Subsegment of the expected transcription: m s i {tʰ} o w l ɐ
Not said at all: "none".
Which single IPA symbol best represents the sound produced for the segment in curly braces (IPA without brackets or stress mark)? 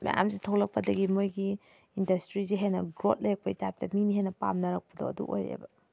tʰ